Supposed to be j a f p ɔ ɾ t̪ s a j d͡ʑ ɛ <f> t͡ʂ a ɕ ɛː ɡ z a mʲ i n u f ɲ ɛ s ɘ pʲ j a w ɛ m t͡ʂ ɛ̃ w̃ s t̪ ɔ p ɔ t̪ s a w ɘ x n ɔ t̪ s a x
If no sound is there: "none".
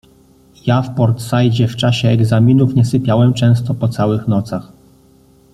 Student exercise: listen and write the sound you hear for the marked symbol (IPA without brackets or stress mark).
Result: f